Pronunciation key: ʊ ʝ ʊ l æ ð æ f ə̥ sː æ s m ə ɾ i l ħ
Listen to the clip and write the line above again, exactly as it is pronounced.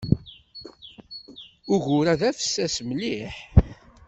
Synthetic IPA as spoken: ʊ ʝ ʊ ɾ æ ð æ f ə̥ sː æ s m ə l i ħ